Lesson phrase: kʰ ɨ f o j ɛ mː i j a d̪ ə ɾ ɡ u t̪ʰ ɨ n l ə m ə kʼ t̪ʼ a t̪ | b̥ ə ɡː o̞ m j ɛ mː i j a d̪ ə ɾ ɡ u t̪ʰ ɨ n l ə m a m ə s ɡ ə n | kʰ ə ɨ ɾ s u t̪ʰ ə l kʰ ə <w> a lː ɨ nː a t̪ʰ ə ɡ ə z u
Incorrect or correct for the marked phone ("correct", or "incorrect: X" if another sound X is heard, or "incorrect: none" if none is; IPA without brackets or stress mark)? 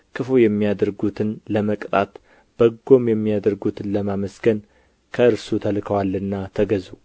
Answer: correct